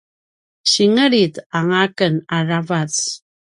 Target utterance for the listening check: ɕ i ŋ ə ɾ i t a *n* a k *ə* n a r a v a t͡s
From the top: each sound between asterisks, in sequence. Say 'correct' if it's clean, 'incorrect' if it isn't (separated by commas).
incorrect, correct